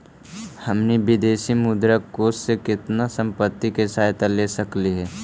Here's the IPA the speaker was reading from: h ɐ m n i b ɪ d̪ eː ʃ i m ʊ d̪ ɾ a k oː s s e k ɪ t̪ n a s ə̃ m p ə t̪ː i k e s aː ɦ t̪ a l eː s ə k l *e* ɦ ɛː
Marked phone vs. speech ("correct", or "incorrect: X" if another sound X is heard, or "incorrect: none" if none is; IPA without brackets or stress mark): incorrect: i